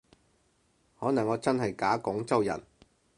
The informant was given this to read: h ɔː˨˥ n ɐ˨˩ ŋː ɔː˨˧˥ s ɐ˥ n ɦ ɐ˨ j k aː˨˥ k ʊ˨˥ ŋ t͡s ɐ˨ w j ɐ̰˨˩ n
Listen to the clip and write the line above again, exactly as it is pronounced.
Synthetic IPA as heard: h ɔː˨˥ n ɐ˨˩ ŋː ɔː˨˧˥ t͡s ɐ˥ n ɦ ɐ˨ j k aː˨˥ k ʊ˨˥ ŋ t͡s ɐ˥ w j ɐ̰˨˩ n